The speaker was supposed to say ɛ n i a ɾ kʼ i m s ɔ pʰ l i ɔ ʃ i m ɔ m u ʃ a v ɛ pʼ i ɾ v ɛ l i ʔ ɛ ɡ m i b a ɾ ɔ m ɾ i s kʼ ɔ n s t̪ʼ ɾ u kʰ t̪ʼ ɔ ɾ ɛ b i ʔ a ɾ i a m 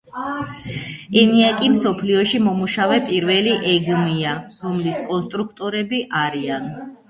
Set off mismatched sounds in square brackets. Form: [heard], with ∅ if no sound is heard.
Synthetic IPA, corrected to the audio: ɛ n i a [∅] kʼ i m s ɔ pʰ l i ɔ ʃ i m ɔ m u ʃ a v ɛ pʼ i ɾ v ɛ l i ʔ ɛ ɡ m i [∅] a ɾ ɔ m [l] i s kʼ ɔ n s t̪ʼ ɾ u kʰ t̪ʼ ɔ ɾ ɛ b i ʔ a ɾ i a [n]